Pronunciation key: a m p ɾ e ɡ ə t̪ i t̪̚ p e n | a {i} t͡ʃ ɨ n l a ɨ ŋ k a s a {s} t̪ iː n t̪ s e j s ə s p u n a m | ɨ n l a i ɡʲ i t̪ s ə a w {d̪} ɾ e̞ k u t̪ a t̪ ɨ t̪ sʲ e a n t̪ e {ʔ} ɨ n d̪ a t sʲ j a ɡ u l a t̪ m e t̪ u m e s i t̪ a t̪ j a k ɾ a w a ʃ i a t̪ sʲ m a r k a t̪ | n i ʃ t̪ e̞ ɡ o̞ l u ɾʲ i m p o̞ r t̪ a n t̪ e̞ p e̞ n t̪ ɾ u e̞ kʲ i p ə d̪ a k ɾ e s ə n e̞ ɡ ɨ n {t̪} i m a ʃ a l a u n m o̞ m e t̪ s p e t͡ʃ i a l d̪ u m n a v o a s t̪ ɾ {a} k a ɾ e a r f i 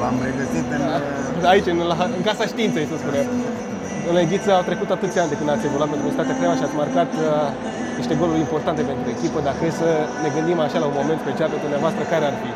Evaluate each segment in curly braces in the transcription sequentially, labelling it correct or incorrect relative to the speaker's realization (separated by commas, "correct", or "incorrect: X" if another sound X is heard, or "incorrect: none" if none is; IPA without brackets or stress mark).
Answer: correct, incorrect: ʃ, incorrect: t̪, incorrect: k, incorrect: d̪, incorrect: ə